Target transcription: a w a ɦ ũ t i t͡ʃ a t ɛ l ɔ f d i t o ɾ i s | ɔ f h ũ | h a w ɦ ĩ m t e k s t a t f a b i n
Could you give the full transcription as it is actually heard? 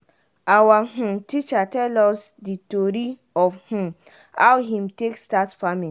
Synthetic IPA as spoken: a w a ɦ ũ t i t͡ʃ a t ɛ l ɔ s d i t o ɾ i | ɔ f h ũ | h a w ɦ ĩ m t e k s t a t f a m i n